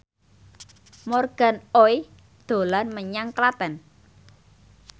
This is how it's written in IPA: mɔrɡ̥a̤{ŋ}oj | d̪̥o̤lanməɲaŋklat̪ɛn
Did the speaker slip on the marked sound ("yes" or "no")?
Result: yes